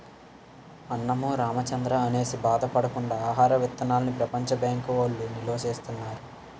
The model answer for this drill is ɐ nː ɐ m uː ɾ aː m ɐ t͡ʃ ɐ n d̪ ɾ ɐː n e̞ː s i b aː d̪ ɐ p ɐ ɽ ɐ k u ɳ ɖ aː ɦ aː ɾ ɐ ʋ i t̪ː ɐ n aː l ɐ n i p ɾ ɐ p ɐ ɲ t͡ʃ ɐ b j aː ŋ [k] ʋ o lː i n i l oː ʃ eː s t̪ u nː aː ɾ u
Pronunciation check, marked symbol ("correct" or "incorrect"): correct